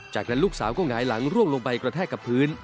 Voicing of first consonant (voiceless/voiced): voiceless